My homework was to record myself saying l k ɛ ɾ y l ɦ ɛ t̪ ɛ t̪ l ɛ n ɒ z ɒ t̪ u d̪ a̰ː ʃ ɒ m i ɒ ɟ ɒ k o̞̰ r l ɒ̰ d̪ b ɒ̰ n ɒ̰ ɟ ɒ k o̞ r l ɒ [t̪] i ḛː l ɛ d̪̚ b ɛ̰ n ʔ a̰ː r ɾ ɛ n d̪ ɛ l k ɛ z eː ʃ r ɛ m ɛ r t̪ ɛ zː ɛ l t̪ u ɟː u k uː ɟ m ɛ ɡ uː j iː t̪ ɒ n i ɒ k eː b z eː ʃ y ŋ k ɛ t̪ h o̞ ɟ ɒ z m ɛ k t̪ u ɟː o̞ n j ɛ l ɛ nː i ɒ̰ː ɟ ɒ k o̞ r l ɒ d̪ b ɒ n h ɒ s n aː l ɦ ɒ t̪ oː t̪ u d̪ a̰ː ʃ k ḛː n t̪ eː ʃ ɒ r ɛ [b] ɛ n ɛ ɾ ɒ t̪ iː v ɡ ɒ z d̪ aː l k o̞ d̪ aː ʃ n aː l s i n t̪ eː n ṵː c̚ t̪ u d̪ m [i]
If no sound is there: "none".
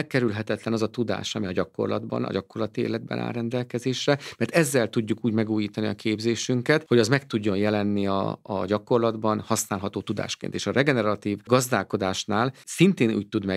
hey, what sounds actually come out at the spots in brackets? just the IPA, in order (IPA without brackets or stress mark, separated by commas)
t̪, ɡ, ɛ